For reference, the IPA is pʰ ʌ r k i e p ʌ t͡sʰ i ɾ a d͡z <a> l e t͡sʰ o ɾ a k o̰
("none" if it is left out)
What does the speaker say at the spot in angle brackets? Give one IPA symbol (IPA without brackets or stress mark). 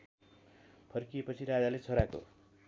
a